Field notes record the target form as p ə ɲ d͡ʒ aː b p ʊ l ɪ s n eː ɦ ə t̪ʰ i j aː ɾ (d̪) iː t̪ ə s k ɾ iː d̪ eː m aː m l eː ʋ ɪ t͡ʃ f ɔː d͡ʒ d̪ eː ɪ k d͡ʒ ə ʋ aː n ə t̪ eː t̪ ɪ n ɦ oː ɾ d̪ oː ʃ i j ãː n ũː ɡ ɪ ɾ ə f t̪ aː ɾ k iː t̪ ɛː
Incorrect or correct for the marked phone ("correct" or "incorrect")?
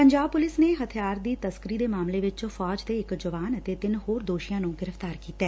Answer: correct